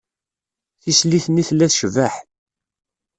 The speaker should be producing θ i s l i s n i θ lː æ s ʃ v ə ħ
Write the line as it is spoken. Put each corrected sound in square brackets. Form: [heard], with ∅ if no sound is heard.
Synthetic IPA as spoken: θ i s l i [θ] n i θ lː æ [θ] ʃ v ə ħ